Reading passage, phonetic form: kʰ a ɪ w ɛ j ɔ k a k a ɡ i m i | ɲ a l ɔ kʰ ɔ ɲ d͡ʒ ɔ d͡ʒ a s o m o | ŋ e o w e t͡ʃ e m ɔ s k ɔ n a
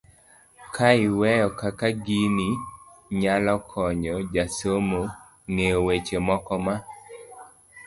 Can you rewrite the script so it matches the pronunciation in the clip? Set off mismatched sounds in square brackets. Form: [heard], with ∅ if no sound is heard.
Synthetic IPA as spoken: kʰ a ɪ w ɛ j ɔ k a k a ɡ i [n] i | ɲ a l ɔ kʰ ɔ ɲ d͡ʒ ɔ d͡ʒ a s o m o | ŋ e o w e t͡ʃ e m ɔ [∅] k ɔ [m] a